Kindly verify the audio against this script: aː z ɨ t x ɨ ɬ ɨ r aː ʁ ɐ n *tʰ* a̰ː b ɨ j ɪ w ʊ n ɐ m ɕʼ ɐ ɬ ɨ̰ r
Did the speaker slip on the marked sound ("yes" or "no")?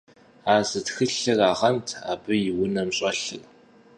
no